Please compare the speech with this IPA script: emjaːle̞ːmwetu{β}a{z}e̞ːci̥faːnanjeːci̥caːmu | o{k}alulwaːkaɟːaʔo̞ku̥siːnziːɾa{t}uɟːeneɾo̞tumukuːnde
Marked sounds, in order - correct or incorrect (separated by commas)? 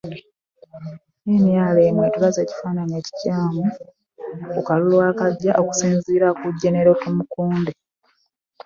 correct, correct, correct, incorrect